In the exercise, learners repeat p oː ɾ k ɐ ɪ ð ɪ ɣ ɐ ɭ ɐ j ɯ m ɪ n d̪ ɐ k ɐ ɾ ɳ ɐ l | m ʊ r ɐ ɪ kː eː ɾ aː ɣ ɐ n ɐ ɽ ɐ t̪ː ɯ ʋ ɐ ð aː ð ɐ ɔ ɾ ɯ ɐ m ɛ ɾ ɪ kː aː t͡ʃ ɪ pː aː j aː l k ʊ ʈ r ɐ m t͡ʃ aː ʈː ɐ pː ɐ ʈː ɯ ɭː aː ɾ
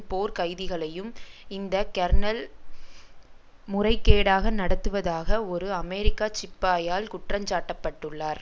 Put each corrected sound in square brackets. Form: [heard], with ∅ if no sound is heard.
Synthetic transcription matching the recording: p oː ɾ k ɐ ɪ ð ɪ ɣ ɐ ɭ ɐ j ɯ m ɪ n d̪ ɐ k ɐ ɾ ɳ ɐ l | m ʊ r ɐ ɪ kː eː [ɽ] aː ɣ ɐ n ɐ ɽ ɐ t̪ː ɯ ʋ ɐ ð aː [ɣ] ɐ ɔ ɾ ɯ ɐ m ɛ ɾ ɪ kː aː t͡ʃ ɪ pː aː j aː l k ʊ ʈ r ɐ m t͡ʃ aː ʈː ɐ pː ɐ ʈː ɯ ɭː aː ɾ